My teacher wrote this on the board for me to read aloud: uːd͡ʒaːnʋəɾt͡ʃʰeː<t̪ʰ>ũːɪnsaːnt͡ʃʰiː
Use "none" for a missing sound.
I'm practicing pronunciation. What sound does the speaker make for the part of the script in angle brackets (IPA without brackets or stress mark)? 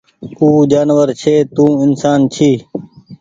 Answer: t̪